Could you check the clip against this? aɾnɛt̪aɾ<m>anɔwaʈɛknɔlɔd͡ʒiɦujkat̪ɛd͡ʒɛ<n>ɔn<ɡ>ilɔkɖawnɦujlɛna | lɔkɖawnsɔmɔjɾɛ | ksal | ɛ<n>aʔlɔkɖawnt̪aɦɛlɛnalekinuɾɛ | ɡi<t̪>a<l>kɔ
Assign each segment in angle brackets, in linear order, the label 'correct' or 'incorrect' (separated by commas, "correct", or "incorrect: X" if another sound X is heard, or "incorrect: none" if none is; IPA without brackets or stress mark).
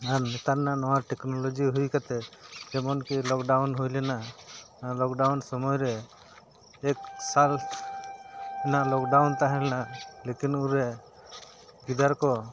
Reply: incorrect: n, incorrect: m, incorrect: k, correct, incorrect: d̪, incorrect: ɾ